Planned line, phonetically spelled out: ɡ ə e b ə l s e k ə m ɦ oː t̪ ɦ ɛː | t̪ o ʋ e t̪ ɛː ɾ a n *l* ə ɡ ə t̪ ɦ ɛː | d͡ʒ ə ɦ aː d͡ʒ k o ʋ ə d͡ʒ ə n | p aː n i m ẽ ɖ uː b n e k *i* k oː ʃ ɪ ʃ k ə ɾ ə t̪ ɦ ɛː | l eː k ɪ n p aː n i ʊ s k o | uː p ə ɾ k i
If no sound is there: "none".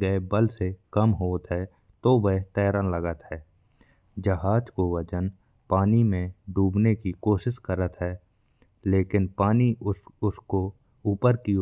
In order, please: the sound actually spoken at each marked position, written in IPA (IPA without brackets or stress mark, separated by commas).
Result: l, i